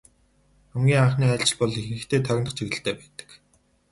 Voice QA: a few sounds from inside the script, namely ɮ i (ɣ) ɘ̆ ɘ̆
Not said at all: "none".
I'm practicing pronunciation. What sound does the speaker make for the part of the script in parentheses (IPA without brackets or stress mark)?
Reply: x